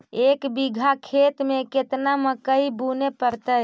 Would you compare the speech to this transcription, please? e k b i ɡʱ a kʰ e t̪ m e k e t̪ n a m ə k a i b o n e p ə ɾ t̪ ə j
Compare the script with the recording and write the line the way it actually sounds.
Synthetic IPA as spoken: e k b i ɡʱ a kʰ e t̪ m e k e t̪ n a m ə k ə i b u n e p ə ɾ t̪ ə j